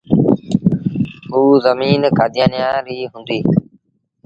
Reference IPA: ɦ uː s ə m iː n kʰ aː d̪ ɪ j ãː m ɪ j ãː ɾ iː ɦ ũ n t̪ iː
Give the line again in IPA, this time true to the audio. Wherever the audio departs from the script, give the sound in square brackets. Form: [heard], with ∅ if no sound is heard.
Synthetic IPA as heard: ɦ uː [z] ə m iː n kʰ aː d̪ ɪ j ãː [n] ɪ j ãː ɾ iː ɦ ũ n [d̪] iː